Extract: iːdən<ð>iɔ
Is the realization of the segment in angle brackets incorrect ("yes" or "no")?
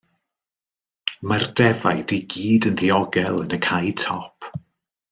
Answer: no